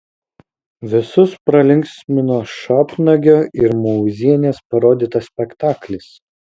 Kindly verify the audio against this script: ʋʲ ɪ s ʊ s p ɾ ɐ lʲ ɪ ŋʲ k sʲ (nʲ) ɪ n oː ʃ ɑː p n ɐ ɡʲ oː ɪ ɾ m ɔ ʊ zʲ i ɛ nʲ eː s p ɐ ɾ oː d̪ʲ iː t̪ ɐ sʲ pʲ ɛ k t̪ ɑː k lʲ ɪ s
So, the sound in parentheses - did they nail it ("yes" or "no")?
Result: no